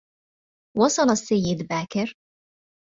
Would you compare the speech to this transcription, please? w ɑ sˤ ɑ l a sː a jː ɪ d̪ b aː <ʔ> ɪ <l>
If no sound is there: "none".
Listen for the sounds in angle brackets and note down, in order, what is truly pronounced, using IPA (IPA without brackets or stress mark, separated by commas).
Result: k, ɾ